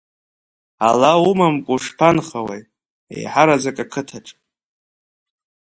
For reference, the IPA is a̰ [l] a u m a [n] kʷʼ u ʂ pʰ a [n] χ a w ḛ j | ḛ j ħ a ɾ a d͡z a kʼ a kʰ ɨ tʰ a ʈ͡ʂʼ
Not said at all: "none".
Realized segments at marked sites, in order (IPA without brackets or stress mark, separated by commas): l, m, n